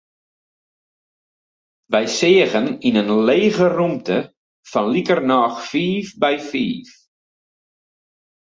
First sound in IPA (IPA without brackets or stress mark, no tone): ʋ